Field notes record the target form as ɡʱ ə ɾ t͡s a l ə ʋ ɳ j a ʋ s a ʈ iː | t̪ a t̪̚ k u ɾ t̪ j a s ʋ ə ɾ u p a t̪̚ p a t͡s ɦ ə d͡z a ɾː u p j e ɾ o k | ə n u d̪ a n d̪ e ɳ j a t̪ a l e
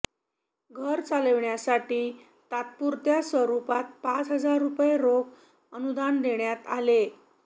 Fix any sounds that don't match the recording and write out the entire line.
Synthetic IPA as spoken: ɡʱ ə ɾ t͡s a l ə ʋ ɳ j a s a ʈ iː | t̪ a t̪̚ p u ɾ t̪ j a s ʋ ə ɾ u p a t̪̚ p a t͡s ɦ ə d͡z a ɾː u p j e ɾ o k | ə n u d̪ a n d̪ e ɳ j a t̪ a l e